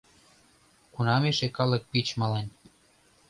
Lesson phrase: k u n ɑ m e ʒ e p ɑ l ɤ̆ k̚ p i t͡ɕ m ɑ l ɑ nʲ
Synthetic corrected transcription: k u n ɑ m e ʃ e k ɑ l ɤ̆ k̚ p i t͡ɕ m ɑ l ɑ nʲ